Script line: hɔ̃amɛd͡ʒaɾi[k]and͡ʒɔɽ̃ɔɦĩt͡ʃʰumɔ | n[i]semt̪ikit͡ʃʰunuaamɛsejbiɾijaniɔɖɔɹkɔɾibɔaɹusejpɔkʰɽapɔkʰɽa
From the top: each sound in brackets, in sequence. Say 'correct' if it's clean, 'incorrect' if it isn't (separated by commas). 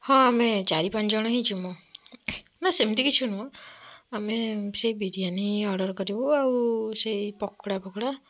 incorrect, incorrect